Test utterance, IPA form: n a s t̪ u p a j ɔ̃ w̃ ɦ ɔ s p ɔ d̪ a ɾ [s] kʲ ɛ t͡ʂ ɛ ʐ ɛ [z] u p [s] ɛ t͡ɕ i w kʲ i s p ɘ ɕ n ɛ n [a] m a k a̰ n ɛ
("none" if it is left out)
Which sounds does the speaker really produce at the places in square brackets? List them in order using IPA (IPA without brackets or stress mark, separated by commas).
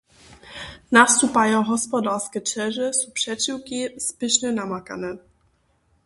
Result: s, s, ʂ, a